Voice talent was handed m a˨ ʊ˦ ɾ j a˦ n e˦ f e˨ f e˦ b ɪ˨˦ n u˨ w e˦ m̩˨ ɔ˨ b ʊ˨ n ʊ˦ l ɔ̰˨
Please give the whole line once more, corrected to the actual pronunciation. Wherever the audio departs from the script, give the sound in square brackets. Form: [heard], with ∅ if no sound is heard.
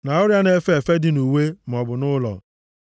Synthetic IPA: [n] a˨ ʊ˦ ɾ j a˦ n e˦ f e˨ f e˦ [d] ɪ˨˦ n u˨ w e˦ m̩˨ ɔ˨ b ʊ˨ n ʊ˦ l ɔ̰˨

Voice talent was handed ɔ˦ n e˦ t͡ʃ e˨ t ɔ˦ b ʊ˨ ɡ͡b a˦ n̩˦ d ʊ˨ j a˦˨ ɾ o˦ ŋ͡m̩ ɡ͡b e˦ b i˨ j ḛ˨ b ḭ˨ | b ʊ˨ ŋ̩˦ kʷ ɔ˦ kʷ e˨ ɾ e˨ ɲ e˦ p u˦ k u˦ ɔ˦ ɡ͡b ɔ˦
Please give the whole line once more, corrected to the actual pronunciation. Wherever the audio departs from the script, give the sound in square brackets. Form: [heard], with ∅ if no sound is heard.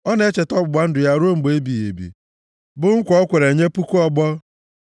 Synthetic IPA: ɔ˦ n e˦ t͡ʃ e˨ t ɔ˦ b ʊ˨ ɡ͡b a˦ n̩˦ d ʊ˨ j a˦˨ ɾ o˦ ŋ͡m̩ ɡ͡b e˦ b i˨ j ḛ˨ b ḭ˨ | b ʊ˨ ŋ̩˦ kʷ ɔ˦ kʷ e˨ ɾ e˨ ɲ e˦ p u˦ k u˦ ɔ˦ ɡ͡b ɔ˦

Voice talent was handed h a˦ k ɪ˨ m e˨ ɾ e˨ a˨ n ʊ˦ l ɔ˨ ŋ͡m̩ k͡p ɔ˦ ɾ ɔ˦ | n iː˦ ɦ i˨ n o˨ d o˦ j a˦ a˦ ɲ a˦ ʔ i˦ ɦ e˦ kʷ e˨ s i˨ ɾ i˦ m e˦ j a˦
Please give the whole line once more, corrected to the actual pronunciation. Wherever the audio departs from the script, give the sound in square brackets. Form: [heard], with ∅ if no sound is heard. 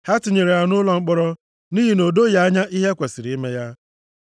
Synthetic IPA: h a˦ [t] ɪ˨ [ɲ] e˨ ɾ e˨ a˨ n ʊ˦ l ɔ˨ ŋ͡m̩ k͡p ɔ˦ ɾ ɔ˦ | n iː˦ ɦ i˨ n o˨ d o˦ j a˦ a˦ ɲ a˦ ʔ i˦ ɦ e˦ kʷ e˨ s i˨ ɾ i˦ m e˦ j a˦

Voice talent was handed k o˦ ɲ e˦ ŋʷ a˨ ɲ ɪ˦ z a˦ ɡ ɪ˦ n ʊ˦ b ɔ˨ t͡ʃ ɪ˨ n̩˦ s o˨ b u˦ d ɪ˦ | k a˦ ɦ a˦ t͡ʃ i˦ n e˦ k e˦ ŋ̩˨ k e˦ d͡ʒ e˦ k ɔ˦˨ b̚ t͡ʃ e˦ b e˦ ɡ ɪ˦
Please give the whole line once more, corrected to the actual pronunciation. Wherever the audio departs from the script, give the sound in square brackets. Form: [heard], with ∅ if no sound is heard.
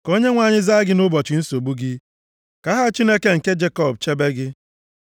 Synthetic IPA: k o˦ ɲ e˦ ŋʷ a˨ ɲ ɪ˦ z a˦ ɡ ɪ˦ n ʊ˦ b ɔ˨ t͡ʃ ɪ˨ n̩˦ s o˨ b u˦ [ɡ] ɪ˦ | k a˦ ɦ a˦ t͡ʃ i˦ n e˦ k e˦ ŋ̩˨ k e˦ d͡ʒ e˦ k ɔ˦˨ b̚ t͡ʃ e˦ b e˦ ɡ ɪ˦

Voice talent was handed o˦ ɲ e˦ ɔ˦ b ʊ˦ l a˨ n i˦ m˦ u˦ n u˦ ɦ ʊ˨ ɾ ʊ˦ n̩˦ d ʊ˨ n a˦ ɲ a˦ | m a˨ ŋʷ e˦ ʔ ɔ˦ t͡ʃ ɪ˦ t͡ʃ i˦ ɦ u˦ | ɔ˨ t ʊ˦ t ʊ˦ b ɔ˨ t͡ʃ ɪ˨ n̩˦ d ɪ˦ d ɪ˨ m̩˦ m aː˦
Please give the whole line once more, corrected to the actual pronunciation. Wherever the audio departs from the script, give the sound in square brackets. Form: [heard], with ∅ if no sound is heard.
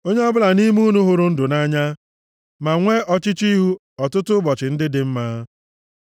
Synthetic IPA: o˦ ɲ e˦ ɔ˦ b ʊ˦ l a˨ n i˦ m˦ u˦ n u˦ ɦ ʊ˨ ɾ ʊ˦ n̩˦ d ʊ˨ n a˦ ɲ a˦ | m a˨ ŋʷ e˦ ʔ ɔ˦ t͡ʃ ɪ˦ t͡ʃ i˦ ɦ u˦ | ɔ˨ t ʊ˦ t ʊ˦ b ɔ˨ t͡ʃ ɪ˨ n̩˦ d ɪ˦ d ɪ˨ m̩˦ m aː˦

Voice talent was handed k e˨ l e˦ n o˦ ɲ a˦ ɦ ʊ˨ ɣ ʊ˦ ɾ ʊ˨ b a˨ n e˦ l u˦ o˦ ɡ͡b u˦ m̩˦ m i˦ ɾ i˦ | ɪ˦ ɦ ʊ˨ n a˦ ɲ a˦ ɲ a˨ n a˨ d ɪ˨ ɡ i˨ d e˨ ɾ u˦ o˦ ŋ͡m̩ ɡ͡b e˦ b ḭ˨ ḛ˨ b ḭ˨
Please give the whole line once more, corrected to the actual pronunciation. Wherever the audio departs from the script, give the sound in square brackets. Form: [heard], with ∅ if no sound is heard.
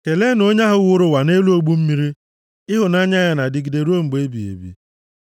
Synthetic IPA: k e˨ l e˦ n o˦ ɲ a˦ ɦ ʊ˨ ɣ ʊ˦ ɾ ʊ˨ [w] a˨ n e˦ l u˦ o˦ ɡ͡b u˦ m̩˦ m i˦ ɾ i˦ | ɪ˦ ɦ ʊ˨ n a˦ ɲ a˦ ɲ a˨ n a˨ d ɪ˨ ɡ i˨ d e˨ ɾ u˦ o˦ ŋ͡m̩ ɡ͡b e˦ b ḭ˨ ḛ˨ b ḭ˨

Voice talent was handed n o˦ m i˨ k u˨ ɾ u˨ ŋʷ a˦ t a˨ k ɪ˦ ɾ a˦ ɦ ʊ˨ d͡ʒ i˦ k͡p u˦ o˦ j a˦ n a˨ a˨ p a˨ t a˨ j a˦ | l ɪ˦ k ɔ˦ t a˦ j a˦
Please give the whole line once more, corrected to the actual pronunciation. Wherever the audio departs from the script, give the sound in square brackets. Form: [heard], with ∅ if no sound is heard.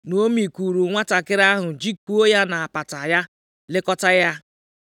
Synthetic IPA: n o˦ m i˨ k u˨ ɾ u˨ ŋʷ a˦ t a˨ k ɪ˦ ɾ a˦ ɦ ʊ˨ d͡ʒ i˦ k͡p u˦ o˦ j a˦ n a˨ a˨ p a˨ t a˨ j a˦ | l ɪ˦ k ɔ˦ t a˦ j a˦

